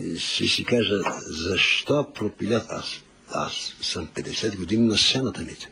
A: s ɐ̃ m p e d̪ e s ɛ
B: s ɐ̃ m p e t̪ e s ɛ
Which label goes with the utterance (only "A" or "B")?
A